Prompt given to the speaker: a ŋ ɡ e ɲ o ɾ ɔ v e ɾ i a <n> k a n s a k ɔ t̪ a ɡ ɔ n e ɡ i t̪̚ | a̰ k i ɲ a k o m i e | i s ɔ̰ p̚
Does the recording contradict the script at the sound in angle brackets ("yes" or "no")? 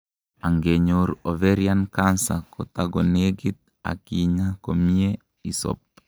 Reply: no